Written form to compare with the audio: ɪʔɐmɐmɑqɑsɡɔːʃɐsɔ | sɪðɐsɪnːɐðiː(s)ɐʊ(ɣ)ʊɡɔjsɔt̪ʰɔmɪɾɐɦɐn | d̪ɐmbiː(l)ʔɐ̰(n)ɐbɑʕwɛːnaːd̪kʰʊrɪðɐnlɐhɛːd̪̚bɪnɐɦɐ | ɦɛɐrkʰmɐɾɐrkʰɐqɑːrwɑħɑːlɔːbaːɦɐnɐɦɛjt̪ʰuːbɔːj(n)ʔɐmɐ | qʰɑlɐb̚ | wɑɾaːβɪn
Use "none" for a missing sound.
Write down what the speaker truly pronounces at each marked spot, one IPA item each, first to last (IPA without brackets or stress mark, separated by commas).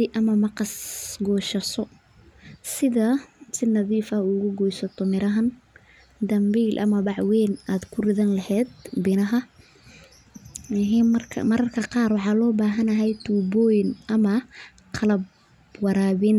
f, ɣ, l, m, n